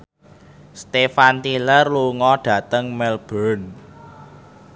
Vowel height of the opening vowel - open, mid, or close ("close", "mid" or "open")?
mid